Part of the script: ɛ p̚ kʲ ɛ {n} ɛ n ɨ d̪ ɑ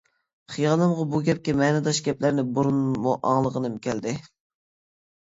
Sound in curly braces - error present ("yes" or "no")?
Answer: yes